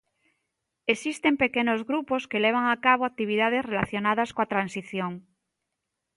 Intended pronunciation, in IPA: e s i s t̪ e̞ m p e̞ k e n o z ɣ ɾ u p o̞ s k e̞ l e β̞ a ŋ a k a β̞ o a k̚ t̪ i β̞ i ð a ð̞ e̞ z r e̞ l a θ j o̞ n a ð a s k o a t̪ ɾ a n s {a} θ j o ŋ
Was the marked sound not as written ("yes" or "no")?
yes